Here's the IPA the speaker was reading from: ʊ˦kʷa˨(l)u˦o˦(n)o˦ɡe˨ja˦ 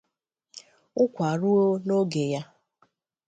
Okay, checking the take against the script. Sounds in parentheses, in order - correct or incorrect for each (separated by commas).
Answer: incorrect, correct